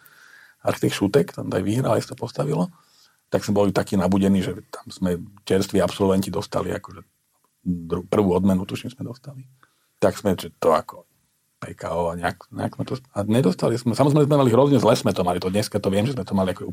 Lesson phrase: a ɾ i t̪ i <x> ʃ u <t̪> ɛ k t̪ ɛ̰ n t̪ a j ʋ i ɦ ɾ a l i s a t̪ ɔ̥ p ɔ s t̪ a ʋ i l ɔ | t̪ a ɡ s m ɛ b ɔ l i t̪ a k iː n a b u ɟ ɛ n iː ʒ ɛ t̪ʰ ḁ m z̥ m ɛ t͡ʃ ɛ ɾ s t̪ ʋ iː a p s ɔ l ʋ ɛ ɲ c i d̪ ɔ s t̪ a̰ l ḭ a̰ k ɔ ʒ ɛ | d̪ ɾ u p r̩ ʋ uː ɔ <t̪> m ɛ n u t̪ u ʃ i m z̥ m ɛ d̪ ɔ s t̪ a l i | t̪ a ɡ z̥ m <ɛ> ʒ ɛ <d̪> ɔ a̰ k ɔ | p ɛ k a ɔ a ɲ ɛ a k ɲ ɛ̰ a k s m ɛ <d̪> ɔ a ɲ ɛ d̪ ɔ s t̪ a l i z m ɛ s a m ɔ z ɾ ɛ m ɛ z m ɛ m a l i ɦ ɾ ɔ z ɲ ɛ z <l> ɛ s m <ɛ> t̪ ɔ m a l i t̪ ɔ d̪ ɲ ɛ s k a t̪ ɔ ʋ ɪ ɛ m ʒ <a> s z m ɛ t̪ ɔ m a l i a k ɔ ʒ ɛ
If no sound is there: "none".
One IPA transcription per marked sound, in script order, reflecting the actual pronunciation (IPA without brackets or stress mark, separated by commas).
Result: x, t̪, d̪, ɛ, t̪, t̪, l, ɛ, ɛ